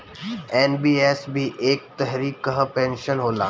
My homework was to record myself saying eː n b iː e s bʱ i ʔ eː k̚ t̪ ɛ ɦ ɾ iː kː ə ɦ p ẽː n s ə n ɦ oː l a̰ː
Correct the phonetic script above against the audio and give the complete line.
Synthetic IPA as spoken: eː n b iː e s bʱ i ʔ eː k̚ t̪ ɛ ɦ ɾ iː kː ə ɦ p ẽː n ʃ ə n ɦ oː l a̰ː